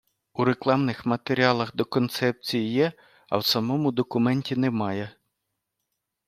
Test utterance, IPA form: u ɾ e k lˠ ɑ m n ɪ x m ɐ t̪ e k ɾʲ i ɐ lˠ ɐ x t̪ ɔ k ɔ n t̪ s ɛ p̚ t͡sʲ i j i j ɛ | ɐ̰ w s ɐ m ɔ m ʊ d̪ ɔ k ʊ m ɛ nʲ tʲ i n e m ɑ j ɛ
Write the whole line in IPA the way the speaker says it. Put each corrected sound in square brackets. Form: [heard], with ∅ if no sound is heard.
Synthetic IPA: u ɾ e k lˠ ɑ m n ɪ x m ɐ t̪ e [∅] ɾʲ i [ɑ] lˠ ɐ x [d̪] ɔ k ɔ n t̪ s ɛ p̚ t͡sʲ i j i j ɛ | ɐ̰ w s ɐ m ɔ m ʊ d̪ ɔ k ʊ m ɛ nʲ tʲ i n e m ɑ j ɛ